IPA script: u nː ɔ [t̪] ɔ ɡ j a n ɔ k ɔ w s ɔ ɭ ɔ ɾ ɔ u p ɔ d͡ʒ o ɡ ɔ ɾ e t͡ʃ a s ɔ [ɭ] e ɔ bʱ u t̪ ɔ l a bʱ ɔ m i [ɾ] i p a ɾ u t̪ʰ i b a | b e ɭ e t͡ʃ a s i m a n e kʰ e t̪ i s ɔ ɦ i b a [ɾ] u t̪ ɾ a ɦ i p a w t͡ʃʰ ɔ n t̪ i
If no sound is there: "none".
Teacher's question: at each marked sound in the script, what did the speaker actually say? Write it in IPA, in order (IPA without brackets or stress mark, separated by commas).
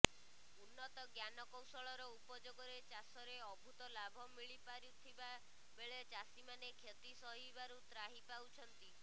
t̪, ɾ, ɭ, ɾ